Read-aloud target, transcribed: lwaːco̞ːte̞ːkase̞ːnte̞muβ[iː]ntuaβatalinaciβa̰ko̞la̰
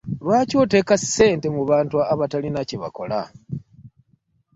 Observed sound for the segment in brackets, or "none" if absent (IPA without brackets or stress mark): aː